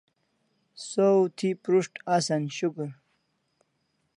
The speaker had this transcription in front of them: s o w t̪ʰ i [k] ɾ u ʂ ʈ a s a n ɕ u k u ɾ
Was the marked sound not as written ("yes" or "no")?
yes